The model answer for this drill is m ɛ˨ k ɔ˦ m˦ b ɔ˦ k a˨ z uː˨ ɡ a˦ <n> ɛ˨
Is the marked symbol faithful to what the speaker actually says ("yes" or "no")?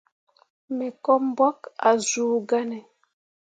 yes